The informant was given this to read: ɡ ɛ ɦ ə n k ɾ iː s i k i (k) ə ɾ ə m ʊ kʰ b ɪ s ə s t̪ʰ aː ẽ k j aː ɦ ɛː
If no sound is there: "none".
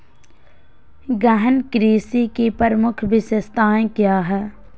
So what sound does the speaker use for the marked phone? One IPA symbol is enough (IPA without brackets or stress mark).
p